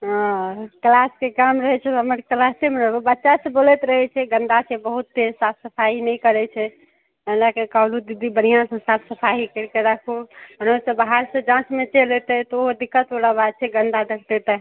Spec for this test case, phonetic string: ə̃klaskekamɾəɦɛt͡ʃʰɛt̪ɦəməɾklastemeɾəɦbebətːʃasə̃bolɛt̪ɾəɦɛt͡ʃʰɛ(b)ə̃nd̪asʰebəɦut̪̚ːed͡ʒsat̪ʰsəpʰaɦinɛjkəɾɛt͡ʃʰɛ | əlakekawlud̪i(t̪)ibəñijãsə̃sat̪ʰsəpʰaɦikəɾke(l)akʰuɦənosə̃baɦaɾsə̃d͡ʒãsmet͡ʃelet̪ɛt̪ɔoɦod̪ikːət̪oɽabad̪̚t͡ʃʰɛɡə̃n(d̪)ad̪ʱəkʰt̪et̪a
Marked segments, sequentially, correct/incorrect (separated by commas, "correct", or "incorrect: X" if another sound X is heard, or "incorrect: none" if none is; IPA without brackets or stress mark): incorrect: ɡ, incorrect: d̪, incorrect: ɾ, correct